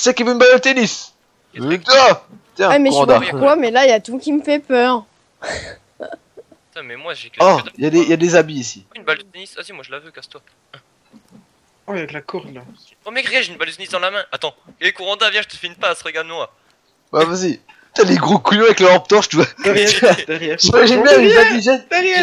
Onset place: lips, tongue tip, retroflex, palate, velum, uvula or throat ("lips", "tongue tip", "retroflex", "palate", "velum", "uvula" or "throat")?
tongue tip